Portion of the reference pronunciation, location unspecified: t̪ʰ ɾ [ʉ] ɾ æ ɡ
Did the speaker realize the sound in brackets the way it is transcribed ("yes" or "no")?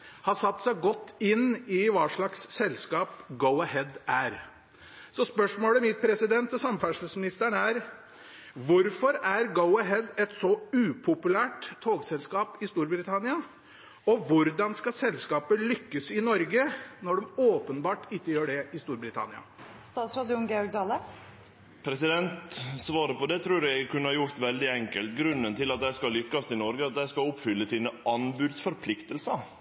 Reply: no